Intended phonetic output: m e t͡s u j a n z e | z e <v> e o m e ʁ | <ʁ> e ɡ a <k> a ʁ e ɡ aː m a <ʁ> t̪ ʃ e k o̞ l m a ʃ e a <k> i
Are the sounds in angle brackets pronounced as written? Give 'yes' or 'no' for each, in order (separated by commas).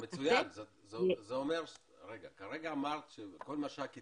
no, yes, yes, yes, yes